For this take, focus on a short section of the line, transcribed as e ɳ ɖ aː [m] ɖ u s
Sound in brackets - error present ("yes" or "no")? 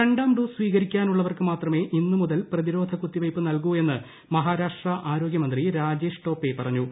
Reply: no